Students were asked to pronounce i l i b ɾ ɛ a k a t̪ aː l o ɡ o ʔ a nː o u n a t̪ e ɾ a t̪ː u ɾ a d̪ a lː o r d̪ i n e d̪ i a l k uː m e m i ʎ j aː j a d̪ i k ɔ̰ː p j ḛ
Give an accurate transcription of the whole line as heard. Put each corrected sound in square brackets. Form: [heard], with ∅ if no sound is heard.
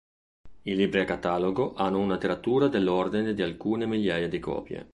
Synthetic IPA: i l i b ɾ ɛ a k a t̪ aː l o ɡ o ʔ a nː o u n a t̪ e ɾ a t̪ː [uː] ɾ a d̪ [e] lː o r d̪ i n e d̪ i a l k uː [n] e m i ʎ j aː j a d̪ i k ɔ̰ː p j ḛ